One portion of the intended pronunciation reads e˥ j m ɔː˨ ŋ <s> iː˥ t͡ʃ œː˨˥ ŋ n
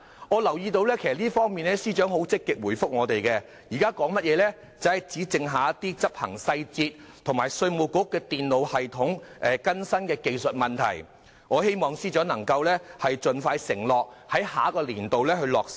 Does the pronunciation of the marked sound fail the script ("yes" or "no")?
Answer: no